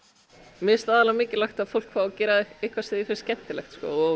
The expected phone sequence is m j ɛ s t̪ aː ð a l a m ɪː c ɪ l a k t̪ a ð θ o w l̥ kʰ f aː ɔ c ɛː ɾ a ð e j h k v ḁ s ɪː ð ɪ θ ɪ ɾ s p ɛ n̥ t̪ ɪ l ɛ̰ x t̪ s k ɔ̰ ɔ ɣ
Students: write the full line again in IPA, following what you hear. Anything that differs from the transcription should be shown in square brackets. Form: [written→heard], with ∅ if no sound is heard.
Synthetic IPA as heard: m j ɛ s t̪ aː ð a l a m ɪː c ɪ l a [k→x] t̪ a ð [θ→f] o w l̥ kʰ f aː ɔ c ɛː ɾ a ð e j h k v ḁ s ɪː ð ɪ [θ→f] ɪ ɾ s [p→c] ɛ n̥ t̪ ɪ l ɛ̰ x t̪ s k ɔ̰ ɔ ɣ